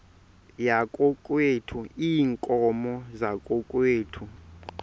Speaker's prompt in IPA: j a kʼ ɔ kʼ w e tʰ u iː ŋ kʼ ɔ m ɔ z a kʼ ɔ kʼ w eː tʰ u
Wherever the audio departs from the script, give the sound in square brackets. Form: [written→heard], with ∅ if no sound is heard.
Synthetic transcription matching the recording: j a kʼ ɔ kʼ w e tʰ u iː ŋ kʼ ɔ m ɔ z a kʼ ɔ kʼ w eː tʰ u